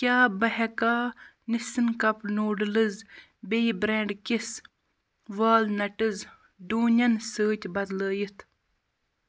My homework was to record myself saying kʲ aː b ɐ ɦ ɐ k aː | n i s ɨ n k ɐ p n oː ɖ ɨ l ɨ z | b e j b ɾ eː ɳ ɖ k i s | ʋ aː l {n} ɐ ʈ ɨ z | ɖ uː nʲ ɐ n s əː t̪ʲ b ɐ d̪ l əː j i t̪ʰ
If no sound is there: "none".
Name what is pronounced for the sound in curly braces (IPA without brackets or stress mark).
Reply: n